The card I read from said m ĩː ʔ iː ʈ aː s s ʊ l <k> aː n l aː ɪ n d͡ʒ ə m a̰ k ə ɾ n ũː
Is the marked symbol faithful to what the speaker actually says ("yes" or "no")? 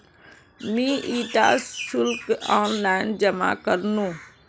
yes